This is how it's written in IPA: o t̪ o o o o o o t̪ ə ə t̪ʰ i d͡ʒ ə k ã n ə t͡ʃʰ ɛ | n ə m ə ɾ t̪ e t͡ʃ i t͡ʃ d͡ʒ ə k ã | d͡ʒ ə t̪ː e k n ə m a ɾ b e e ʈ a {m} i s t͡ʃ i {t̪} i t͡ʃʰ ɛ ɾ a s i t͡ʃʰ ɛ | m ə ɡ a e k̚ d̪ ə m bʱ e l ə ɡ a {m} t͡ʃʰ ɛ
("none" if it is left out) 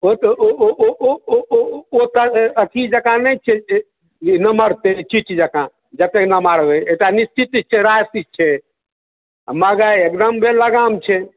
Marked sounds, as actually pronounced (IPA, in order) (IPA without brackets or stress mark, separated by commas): n, t̪, m